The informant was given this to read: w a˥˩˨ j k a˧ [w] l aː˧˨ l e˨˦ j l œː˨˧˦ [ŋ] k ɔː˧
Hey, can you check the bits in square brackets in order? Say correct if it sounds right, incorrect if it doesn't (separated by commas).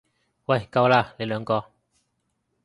correct, correct